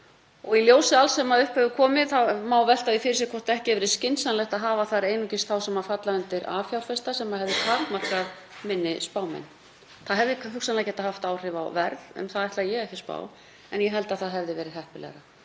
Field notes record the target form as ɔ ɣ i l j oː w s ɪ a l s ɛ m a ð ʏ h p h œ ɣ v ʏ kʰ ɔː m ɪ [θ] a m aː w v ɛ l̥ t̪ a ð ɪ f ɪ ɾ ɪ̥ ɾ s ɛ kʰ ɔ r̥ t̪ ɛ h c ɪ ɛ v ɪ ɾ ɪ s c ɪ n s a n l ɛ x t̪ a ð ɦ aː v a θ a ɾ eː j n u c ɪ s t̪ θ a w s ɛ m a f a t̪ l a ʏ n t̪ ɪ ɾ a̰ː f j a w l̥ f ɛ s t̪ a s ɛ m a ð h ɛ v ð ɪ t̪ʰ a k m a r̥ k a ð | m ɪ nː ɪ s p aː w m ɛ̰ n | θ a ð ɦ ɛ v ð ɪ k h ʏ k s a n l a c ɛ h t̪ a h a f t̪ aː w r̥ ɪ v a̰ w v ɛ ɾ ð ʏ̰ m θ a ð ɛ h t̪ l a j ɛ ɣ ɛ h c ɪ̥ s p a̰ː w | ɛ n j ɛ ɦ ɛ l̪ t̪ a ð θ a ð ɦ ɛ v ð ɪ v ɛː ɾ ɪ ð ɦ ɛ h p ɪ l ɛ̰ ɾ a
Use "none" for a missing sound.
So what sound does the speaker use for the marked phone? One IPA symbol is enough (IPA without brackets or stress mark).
θ